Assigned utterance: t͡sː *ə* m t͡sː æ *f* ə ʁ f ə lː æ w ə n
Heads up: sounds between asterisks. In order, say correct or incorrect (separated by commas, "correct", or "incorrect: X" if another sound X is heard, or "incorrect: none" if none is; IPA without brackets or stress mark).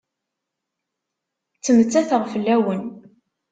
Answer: correct, incorrect: θ